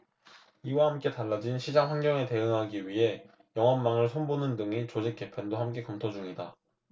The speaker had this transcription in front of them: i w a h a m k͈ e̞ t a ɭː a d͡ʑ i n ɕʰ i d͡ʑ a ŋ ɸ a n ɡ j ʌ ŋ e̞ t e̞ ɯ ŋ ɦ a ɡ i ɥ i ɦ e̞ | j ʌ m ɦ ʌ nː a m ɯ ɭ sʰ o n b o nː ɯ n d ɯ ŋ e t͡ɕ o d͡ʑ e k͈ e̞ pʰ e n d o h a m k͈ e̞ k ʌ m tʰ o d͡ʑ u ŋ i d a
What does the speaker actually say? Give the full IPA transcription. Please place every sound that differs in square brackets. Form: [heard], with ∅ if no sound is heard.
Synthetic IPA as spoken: i w a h a m k͈ e̞ t a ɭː a d͡ʑ i n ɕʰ i d͡ʑ a ŋ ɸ a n ɡ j ʌ ŋ e̞ t e̞ ɯ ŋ ɦ a ɡ i ɥ i ɦ e̞ | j ʌ [ŋ] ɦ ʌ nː a [ŋ] ɯ ɭ sʰ o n b o [n] ɯ n d ɯ ŋ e t͡ɕ o d͡ʑ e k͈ e̞ pʰ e n d o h a m k͈ e̞ k ʌ m tʰ o d͡ʑ u ŋ i d a